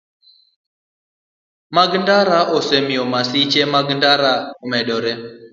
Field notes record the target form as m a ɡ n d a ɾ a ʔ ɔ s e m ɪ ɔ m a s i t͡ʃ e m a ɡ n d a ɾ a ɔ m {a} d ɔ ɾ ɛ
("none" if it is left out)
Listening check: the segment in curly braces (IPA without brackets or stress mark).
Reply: ɛ